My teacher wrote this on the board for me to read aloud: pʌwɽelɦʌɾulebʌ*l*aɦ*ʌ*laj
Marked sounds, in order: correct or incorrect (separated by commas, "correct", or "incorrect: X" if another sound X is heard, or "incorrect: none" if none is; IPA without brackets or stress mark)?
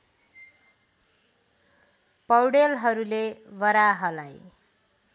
incorrect: ɾ, correct